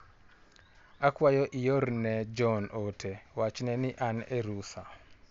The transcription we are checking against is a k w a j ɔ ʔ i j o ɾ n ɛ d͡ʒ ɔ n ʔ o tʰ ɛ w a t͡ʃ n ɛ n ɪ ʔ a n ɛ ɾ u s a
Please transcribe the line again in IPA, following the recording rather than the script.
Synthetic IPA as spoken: a k w a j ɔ ʔ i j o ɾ n ɛ d͡ʒ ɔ n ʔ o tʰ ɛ w a t͡ʃ n ɛ n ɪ ʔ a n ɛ ɾ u s a